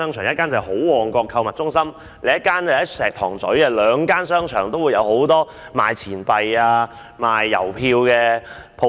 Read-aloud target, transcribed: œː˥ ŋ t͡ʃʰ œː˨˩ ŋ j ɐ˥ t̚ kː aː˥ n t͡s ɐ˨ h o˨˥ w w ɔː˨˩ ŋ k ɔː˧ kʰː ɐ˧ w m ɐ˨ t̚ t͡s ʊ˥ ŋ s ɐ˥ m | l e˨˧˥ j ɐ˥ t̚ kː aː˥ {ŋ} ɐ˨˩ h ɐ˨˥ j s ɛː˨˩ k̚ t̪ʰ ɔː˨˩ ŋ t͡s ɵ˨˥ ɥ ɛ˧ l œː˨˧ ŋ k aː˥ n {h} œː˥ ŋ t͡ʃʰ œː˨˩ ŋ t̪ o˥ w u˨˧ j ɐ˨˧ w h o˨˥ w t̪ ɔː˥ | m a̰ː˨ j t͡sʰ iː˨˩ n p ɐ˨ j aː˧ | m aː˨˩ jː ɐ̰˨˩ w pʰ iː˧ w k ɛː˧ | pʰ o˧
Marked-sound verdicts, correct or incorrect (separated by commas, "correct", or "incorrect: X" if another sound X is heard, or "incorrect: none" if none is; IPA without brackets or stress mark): incorrect: n, incorrect: s